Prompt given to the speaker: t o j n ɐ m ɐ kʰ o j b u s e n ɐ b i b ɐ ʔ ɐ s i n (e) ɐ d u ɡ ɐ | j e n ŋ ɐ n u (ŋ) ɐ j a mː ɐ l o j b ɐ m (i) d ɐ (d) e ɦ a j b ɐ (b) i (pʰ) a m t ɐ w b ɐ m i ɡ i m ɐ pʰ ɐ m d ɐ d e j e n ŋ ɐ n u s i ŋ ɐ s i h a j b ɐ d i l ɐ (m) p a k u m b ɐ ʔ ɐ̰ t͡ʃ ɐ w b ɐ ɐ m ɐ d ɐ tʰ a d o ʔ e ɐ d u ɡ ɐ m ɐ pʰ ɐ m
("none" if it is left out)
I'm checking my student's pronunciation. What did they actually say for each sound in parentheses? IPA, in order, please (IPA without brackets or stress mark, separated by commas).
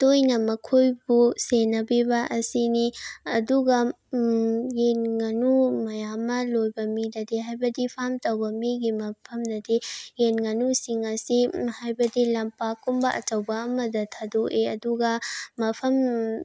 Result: i, m, i, d, d, pʰ, m